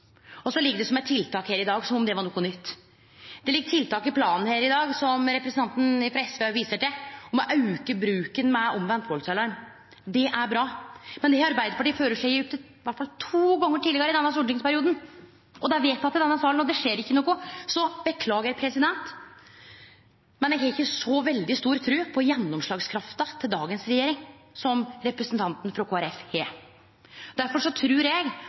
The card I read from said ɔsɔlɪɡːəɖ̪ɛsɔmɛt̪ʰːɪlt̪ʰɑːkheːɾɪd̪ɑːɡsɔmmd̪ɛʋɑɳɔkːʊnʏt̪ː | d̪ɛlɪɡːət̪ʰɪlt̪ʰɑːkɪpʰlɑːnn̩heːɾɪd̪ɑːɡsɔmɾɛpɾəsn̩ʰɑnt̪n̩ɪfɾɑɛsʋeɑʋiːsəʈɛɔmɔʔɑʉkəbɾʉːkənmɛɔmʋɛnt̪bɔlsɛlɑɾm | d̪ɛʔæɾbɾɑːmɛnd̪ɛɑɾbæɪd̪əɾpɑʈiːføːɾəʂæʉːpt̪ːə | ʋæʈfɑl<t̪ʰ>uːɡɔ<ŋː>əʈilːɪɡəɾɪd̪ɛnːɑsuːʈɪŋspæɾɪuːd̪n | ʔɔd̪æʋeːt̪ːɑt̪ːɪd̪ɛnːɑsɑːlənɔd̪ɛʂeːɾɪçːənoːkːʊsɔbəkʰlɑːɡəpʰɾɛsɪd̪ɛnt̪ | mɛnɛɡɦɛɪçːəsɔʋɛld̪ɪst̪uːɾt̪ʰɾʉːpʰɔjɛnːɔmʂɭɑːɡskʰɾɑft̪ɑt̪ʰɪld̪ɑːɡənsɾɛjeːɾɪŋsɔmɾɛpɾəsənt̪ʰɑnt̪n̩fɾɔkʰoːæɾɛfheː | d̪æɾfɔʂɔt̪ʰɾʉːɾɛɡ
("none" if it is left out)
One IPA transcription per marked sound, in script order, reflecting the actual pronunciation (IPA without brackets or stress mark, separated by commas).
t̪ʰ, ŋː